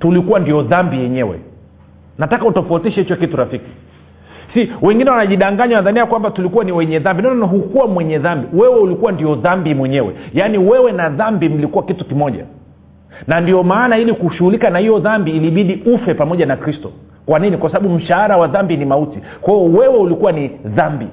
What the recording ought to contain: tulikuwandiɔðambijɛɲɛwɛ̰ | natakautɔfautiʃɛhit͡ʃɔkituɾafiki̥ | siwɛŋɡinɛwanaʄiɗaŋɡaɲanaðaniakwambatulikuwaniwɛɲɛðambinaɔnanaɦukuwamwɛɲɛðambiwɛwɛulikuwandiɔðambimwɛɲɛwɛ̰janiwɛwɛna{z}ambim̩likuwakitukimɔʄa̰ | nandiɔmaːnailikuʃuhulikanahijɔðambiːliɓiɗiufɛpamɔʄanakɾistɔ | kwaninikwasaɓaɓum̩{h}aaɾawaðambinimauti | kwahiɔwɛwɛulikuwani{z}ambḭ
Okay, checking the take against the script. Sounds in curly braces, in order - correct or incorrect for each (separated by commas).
incorrect, incorrect, incorrect